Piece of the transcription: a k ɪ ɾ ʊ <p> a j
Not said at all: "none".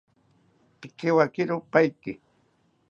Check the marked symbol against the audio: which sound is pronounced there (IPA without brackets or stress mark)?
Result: p